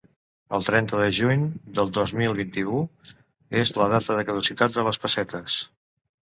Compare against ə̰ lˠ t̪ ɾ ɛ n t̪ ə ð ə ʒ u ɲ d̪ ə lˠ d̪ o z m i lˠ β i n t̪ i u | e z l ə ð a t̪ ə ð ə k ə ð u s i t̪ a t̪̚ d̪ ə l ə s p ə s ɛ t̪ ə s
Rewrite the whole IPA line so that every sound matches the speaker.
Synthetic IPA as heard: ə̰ lˠ t̪ ɾ ɛ n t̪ ə ð ə ʒ u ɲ d̪ ə lˠ d̪ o z m i lˠ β i n t̪ i u | e z l ə ð a t̪ ə ð ə k ə ð u s i t̪ a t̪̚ d̪ ə l ə s p ə s ɛ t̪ ə s